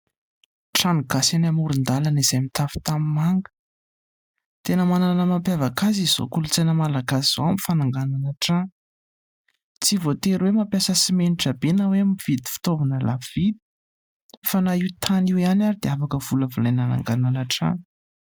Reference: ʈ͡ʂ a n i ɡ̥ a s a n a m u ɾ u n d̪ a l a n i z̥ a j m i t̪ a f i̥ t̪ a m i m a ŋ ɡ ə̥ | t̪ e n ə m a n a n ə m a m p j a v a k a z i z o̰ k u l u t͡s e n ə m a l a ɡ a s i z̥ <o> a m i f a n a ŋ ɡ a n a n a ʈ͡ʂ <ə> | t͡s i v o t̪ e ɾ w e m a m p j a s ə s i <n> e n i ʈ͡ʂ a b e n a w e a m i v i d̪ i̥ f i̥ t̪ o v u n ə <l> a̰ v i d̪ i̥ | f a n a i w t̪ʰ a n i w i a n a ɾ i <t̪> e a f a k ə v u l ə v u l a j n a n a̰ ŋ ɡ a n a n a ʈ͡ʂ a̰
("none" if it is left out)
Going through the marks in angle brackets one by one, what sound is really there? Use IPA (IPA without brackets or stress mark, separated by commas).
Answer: o, a, m, l, d̪